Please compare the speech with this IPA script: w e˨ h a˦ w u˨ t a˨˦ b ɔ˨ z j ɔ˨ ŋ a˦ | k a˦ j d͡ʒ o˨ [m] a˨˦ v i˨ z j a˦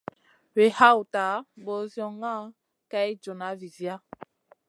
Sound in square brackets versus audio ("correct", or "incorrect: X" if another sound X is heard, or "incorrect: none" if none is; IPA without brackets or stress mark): incorrect: n